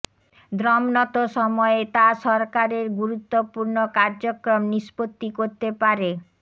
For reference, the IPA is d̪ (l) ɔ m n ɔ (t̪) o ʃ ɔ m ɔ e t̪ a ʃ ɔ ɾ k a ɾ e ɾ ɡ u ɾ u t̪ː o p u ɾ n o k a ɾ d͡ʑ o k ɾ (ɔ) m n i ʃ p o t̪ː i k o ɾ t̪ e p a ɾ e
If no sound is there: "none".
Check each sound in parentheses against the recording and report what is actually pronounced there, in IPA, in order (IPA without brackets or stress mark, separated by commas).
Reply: ɾ, t̪, o